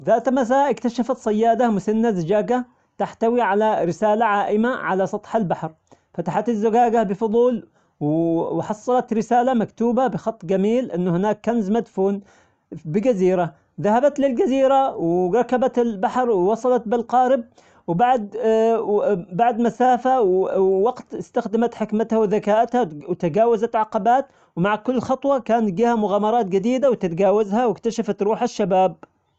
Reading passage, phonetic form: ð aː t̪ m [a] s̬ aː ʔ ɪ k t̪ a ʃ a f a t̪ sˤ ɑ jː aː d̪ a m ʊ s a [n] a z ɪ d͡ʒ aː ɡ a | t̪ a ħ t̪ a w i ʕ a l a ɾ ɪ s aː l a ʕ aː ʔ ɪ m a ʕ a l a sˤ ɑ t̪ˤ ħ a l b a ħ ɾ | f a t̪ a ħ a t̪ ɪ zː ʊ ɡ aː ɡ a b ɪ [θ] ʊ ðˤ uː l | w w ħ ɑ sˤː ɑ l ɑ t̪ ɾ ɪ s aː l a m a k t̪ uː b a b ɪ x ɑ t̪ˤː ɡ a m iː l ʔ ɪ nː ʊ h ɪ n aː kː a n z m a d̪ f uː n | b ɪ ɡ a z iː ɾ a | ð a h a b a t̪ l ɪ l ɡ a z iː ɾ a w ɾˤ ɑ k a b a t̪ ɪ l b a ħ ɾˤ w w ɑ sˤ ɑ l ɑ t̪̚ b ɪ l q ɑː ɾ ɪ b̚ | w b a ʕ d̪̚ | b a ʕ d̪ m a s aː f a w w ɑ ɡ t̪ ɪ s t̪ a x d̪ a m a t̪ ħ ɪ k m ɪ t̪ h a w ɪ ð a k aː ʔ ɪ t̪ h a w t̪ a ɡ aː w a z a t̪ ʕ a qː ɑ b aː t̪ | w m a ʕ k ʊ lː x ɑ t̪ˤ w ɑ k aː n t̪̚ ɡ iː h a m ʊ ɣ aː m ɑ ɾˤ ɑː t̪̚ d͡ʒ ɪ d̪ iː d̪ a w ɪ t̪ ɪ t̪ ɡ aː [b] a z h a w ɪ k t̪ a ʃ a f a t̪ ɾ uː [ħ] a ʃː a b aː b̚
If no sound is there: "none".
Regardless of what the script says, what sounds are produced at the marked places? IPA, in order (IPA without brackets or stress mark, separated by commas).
a, nː, f, w, ħ